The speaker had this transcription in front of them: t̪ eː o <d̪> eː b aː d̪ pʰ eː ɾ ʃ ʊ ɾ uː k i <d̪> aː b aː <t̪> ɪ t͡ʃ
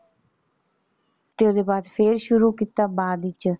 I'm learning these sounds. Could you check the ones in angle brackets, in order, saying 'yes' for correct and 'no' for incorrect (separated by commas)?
yes, no, no